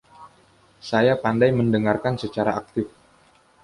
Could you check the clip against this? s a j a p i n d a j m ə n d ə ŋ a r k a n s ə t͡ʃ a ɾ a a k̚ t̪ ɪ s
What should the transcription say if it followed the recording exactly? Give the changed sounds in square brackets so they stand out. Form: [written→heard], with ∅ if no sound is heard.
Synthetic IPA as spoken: s a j a p [i→a] n d a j m ə n d ə ŋ a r k a n s ə t͡ʃ a ɾ a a k̚ t̪ ɪ [s→f]